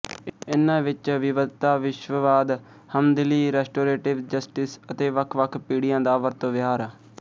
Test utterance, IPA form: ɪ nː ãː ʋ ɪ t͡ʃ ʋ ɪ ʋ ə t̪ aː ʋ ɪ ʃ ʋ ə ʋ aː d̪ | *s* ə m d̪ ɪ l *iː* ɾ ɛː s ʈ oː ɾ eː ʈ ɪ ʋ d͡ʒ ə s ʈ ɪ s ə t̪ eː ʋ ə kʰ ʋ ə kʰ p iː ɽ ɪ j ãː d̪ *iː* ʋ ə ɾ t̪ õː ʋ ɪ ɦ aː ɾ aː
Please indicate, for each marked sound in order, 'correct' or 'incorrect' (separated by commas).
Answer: incorrect, correct, incorrect